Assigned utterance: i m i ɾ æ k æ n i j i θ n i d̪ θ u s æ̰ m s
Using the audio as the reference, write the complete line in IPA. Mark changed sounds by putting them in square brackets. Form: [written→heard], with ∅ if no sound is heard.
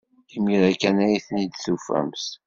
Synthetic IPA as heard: i m i ɾ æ k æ n [i→æ] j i θ n i d̪ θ u [s→f] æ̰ m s